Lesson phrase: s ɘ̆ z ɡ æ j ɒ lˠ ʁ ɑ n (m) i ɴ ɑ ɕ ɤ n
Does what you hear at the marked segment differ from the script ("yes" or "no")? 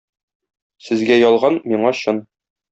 no